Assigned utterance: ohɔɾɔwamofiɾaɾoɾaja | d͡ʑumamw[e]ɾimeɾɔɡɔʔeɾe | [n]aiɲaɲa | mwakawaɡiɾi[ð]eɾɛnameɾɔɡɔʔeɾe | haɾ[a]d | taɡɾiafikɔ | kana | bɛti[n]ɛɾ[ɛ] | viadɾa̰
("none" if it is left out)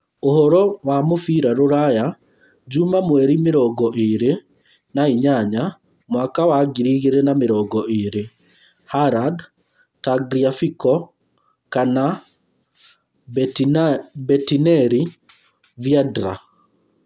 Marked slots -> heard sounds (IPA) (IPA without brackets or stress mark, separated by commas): ɛ, n, ɣ, a, n, i